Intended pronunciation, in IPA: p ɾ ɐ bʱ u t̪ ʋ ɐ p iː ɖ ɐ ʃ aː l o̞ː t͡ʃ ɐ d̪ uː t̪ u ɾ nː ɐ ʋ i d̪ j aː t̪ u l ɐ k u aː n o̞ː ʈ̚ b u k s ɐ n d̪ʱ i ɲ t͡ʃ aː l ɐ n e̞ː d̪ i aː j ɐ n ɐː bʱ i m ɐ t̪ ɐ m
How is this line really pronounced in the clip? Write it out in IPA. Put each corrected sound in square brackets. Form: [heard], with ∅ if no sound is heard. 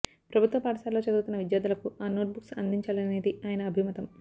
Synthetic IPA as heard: p ɾ ɐ bʱ u t̪ ʋ ɐ p [aː] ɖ ɐ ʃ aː l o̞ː t͡ʃ ɐ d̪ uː t̪ u [∅] nː ɐ ʋ i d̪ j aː [d̪] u l ɐ k u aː n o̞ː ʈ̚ b u k s ɐ n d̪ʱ i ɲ t͡ʃ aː l ɐ n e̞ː d̪ i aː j ɐ n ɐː bʱ i m ɐ t̪ ɐ m